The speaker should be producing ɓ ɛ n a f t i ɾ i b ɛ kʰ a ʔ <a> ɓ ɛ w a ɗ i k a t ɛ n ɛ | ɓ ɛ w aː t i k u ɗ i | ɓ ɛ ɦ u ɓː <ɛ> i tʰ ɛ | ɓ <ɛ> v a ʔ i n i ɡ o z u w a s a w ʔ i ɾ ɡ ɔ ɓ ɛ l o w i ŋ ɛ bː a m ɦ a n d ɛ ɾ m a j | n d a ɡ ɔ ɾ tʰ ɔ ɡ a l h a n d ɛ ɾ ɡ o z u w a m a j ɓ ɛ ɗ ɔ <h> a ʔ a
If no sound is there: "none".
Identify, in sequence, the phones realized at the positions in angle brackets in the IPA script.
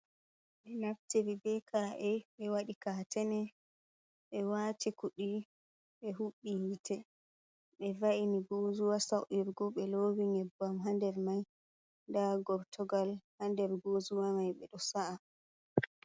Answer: ɛ, i, ɛ, s

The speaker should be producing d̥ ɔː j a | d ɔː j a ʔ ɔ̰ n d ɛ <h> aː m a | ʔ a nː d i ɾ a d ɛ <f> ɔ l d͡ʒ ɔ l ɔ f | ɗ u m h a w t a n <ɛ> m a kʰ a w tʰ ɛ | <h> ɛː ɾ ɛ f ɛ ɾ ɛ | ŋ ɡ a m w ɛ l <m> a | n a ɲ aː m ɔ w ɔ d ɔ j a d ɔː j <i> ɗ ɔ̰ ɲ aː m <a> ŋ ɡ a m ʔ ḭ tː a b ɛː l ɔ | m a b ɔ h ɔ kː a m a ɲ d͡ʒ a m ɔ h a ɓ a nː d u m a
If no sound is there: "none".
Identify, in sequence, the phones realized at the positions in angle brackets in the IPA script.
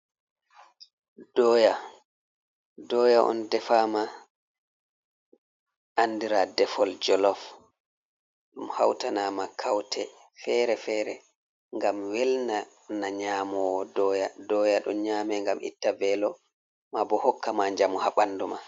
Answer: f, f, a, f, n, a, ɛ

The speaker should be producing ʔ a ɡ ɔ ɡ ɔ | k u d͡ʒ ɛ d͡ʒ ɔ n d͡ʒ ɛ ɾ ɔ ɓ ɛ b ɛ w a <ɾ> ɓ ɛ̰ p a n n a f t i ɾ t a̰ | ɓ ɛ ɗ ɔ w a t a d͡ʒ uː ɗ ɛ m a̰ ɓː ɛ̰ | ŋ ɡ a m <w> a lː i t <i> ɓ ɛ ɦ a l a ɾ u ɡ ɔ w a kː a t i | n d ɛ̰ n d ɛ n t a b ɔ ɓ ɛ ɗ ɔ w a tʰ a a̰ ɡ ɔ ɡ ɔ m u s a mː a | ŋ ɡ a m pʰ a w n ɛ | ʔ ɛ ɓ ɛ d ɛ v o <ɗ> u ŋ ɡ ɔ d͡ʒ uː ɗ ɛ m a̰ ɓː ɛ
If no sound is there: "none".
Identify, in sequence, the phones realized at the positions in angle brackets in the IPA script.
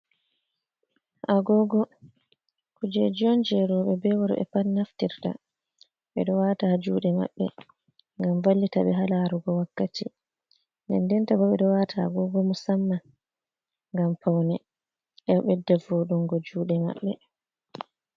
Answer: ɾ, v, a, ɗ

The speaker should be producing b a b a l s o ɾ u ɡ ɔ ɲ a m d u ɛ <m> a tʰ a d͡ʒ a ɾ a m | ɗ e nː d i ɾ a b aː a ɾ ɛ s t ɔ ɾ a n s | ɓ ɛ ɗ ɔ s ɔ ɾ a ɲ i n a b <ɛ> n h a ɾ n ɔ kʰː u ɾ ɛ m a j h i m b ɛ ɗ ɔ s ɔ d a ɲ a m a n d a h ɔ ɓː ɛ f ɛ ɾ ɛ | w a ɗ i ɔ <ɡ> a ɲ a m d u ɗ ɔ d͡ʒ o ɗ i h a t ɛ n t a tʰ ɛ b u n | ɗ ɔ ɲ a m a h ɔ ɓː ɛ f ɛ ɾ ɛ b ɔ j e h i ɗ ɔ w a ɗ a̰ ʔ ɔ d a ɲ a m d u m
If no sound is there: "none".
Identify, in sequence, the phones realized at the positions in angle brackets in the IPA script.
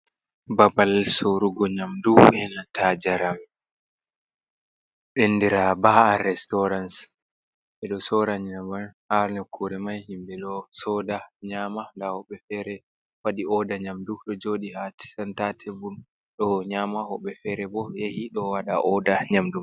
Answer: n, a, d

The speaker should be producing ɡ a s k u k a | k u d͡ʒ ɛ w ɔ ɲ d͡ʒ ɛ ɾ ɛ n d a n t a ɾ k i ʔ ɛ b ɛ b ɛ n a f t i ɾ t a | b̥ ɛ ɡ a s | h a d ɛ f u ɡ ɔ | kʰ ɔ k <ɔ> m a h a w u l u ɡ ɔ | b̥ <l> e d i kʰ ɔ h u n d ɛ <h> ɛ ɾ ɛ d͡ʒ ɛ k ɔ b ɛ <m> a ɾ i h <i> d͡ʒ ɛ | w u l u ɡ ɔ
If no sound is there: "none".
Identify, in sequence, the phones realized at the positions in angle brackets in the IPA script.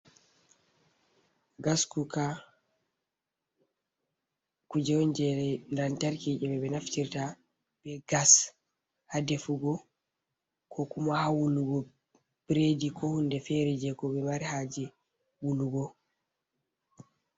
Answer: u, ɾ, f, m, a

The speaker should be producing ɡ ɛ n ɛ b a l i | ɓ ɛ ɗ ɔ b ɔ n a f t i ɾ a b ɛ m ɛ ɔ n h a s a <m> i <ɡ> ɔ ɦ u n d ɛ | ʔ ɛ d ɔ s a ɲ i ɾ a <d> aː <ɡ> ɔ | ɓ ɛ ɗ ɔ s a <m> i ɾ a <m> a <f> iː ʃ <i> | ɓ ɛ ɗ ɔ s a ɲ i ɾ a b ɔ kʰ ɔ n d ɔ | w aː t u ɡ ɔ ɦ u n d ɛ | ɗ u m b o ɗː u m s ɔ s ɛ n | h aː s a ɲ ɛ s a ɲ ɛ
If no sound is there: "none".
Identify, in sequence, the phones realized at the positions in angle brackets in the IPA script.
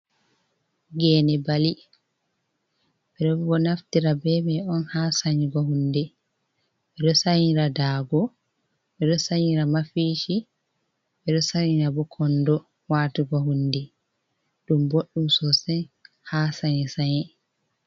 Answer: ɲ, ɡ, d, ɡ, ɲ, m, f, i

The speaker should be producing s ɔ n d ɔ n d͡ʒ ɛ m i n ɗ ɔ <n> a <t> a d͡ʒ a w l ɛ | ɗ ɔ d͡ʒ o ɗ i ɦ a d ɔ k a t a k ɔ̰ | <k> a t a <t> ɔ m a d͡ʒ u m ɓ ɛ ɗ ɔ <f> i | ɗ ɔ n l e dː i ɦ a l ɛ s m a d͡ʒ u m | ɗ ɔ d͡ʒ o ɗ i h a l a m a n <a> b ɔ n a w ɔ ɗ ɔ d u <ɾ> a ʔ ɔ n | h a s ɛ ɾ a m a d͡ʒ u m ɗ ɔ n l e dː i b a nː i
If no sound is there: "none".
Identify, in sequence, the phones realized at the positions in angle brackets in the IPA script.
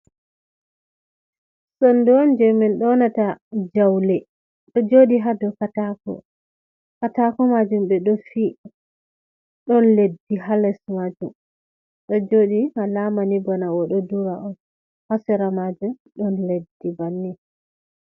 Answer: n, t, k, k, f, i, ɾ

